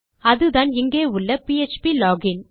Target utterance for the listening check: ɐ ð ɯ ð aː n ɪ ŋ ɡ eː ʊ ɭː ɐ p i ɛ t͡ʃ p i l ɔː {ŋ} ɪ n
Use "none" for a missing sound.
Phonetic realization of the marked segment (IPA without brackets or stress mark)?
ɡ